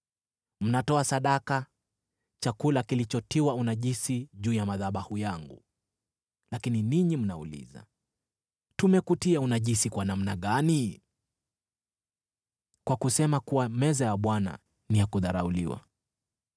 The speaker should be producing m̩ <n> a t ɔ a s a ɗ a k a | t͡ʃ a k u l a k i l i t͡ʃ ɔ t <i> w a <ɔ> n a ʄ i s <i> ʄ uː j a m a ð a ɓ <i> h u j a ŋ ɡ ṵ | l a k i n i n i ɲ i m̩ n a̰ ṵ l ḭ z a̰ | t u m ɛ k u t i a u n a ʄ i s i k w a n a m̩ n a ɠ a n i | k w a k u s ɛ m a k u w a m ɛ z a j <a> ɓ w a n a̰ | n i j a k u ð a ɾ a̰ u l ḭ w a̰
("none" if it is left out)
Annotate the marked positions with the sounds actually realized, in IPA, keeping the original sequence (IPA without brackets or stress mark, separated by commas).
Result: n, i, u, i, a, a